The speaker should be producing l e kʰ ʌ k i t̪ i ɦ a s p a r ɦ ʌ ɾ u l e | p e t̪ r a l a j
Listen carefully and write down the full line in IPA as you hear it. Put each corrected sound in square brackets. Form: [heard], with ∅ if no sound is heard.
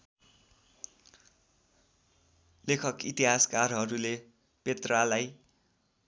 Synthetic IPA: l e kʰ ʌ k i t̪ i ɦ a s [k] a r ɦ ʌ ɾ u l e | p e t̪ r a l a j